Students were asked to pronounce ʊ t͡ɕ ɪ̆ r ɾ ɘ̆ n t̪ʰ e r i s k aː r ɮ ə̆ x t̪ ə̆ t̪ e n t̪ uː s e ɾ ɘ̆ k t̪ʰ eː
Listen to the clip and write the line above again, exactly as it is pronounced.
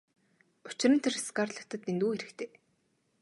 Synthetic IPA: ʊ t͡ɕ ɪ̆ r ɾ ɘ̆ n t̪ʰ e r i s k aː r ɮ ə̆ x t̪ ə̆ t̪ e n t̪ uː x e ɾ ɘ̆ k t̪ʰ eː